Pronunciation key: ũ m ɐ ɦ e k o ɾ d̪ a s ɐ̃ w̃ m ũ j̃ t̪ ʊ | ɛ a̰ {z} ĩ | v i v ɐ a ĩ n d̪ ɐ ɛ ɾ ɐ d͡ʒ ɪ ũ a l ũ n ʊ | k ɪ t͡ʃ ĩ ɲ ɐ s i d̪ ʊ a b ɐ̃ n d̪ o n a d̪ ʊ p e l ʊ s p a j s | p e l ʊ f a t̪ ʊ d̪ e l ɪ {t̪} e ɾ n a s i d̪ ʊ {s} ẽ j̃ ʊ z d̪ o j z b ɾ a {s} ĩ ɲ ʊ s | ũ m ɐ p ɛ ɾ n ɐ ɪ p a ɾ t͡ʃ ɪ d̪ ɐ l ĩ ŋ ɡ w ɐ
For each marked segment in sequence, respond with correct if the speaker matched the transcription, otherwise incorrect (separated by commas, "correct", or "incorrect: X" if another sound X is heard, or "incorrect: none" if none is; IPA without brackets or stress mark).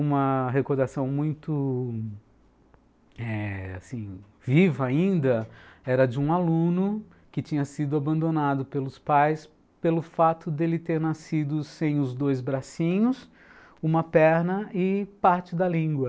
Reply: incorrect: s, correct, correct, correct